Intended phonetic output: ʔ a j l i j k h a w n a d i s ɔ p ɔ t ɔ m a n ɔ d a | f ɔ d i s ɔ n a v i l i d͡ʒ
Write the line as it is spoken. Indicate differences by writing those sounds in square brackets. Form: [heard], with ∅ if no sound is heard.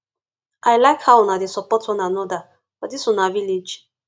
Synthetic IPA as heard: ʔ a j l [a] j k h a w n a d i s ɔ p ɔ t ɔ [n] a n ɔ d a | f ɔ d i s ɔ n a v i l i d͡ʒ